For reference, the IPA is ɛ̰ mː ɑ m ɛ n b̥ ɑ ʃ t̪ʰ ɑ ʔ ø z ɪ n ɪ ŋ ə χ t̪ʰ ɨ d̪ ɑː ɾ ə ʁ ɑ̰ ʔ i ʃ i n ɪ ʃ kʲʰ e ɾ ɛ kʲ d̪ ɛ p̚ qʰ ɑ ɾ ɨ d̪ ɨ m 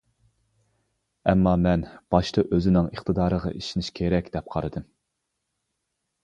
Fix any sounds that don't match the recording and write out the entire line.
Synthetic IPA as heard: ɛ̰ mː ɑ m ɛ n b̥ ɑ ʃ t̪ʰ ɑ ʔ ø z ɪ n ɪ ŋ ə χ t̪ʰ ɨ d̪ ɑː ɾ ə ʁ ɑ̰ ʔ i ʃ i n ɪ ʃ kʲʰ e ɾ ɛ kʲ d̪ ɛ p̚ qʰ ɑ ɾ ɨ d̪ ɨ m